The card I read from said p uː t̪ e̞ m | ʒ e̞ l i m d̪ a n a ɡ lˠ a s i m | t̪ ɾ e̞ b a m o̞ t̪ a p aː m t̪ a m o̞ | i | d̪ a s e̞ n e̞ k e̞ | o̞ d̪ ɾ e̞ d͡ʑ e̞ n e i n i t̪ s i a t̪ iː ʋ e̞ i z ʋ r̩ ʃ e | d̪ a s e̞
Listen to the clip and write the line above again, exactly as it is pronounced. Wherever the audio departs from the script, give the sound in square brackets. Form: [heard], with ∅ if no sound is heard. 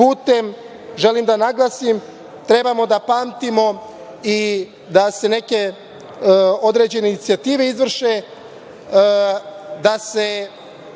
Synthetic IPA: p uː t̪ e̞ m | ʒ e̞ l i m d̪ a n a ɡ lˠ a s i m | t̪ ɾ e̞ b a m o̞ [d̪] a p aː m t̪ [i] m o̞ | i | d̪ a s e̞ n e̞ k e̞ | o̞ d̪ ɾ e̞ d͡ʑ e̞ n e i n i t̪ s i a t̪ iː ʋ e̞ i z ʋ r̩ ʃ e | d̪ a s e̞